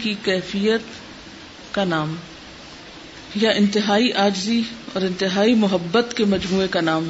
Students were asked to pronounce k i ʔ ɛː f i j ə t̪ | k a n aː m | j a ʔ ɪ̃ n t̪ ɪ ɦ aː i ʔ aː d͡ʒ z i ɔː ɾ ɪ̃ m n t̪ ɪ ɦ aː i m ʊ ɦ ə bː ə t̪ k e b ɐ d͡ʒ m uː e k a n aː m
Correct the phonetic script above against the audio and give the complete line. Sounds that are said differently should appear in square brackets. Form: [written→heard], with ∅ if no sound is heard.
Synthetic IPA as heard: k i [ʔ→k] ɛː f i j ə t̪ | k a n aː m | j a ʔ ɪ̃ n t̪ ɪ ɦ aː i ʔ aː d͡ʒ z i ɔː ɾ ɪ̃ [m→∅] n t̪ ɪ ɦ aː i m ʊ ɦ ə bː ə t̪ k e [b→m] ɐ d͡ʒ m uː e k a n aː m